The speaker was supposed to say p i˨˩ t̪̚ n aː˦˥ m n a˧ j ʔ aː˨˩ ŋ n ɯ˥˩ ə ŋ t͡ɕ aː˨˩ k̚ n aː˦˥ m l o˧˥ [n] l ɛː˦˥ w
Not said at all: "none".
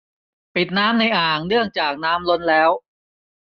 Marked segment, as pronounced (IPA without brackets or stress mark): n